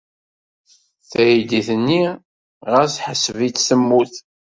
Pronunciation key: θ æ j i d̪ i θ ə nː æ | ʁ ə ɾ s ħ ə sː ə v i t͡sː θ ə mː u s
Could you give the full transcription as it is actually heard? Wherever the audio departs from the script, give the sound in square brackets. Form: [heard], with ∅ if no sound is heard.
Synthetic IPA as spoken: θ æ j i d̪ i θ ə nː [i] | ʁ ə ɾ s ħ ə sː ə v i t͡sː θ ə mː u [θ]